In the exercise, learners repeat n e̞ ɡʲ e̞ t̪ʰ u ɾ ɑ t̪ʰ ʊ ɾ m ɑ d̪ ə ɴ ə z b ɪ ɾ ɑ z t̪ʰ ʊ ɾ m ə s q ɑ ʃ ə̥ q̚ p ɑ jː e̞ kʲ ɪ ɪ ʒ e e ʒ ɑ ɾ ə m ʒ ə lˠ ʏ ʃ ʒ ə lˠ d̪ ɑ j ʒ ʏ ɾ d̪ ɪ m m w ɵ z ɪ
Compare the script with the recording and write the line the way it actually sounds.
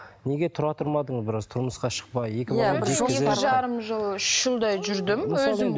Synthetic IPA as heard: n e̞ ɡʲ e̞ t̪ʰ ʊ ɾ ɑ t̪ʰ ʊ ɾ m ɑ d̪ ə ɴ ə z b ɪ ɾ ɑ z t̪ʰ ʊ ɾ m ə s q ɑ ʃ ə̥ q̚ p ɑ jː e̞ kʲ ɪ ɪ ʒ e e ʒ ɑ ɾ ə m ʒ ə lˠ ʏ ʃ ʒ ə lˠ d̪ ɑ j ʒ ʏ ɾ d̪ ɪ m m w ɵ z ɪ